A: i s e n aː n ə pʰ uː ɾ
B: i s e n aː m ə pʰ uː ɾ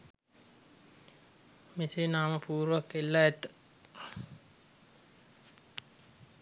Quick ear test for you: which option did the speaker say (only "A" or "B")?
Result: B